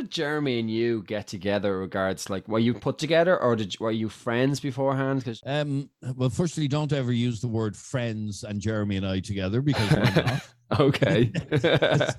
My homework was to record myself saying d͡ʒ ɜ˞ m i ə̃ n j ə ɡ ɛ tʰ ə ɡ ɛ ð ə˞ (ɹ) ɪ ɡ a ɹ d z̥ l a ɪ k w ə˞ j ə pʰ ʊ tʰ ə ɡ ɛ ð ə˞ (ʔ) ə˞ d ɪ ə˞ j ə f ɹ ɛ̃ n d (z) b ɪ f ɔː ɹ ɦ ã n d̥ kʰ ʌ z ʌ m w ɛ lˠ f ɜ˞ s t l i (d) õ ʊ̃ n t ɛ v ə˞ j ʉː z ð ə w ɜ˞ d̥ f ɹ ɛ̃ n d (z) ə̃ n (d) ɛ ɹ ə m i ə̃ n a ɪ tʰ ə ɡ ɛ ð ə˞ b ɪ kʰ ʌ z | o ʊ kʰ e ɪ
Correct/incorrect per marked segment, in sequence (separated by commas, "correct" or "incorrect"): correct, correct, correct, correct, correct, incorrect